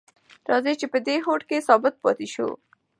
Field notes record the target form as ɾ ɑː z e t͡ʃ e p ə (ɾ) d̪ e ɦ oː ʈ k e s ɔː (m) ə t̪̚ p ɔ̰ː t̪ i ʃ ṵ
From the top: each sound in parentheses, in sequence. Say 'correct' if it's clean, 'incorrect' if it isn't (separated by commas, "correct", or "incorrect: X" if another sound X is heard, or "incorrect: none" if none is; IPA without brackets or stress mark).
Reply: incorrect: none, incorrect: b